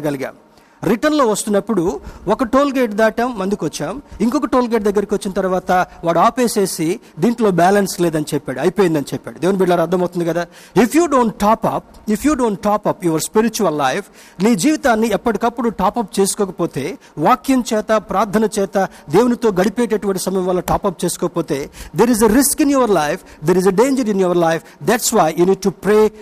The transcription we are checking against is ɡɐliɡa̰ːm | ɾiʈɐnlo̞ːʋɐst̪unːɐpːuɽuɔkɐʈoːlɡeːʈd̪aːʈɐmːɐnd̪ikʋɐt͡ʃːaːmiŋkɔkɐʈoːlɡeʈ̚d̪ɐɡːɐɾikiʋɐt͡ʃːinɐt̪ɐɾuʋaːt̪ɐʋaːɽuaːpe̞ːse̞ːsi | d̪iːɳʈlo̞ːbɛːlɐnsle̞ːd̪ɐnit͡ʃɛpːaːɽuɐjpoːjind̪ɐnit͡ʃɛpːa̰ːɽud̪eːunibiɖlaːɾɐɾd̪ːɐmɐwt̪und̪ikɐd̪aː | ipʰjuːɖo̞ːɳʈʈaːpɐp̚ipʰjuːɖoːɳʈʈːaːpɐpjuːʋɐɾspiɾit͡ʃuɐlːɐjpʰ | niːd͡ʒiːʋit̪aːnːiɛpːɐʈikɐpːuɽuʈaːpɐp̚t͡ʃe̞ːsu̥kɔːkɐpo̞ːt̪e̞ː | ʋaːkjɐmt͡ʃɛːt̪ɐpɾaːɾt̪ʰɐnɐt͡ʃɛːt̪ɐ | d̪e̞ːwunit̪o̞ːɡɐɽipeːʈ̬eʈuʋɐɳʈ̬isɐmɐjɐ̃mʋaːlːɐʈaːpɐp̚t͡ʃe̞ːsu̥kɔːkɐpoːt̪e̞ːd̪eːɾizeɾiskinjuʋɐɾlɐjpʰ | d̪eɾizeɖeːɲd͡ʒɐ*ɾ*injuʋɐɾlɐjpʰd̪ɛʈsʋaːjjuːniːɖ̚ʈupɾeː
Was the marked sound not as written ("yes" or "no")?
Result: no